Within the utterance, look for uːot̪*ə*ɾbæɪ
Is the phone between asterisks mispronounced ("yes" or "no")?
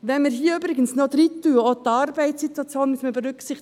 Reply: yes